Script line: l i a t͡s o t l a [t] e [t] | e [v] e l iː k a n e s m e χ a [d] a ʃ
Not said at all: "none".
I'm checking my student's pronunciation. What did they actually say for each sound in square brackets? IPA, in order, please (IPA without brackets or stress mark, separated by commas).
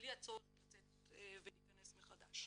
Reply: t͡s, t, v, d